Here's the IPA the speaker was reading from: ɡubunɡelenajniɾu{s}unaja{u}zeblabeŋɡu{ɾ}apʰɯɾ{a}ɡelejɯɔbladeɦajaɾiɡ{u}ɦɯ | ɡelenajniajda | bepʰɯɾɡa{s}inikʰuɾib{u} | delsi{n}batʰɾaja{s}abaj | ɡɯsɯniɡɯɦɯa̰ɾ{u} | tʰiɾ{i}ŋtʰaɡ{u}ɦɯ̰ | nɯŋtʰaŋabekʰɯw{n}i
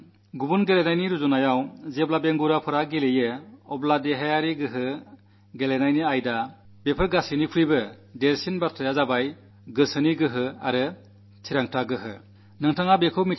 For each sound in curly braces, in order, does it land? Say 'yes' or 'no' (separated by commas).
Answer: no, no, yes, yes, no, yes, no, yes, no, no, no, no, no